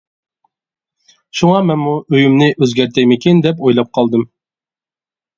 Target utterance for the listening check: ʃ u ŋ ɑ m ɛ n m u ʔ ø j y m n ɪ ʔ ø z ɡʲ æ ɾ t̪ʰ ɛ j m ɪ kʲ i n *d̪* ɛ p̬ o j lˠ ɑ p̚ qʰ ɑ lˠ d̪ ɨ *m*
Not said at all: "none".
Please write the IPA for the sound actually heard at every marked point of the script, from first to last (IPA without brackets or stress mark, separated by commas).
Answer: d̪, m